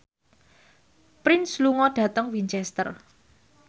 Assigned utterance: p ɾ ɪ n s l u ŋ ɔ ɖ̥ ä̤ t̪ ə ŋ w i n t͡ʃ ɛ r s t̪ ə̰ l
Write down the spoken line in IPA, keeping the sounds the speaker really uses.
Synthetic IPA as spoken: p ɾ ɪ n s l u ŋ ɔ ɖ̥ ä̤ t̪ ə ŋ w i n t͡ʃ ɛ s t̪ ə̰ r